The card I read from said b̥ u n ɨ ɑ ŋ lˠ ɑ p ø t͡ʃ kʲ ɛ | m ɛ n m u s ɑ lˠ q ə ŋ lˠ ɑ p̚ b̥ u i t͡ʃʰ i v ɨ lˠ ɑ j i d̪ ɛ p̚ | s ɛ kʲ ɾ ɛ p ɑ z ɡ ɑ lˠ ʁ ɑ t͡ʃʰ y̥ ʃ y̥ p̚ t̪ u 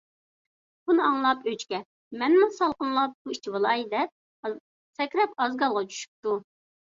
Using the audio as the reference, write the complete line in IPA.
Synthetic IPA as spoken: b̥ u n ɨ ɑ ŋ lˠ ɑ p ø t͡ʃ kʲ ɛ | m ɛ n m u s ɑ lˠ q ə n lˠ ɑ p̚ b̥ u i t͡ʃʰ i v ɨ lˠ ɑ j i d̪ ɛ p̚ | s ɛ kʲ ɾ ɛ p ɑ z ɡ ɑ lˠ ʁ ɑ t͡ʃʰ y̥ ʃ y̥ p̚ t̪ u